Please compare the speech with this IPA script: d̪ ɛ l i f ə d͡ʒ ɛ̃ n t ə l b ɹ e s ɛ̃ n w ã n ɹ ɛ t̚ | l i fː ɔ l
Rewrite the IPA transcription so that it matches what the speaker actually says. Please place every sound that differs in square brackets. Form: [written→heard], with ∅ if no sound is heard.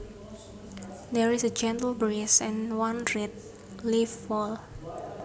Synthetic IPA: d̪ ɛ [l→ɹ] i [f→s] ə d͡ʒ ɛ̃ n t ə l b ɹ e s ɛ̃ n w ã n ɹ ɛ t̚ | l i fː ɔ l